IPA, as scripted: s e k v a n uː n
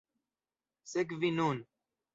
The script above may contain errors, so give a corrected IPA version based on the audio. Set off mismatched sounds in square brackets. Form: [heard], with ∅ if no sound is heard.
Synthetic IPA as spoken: s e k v [i] n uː n